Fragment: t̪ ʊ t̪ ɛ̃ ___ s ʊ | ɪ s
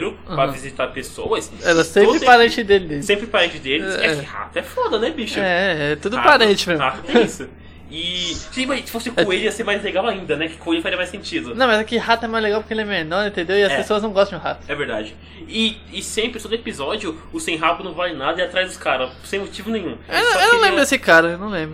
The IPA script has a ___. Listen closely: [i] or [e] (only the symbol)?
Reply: i